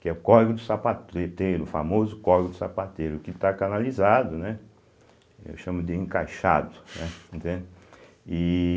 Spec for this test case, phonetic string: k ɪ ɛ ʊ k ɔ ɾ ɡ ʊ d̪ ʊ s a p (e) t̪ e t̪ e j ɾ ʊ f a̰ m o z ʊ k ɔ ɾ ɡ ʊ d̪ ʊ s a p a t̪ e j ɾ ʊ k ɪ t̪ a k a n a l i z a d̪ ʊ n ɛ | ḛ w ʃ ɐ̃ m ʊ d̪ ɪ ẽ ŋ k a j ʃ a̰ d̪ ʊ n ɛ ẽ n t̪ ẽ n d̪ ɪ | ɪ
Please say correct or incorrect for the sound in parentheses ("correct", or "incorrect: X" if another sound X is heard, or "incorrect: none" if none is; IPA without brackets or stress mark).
incorrect: a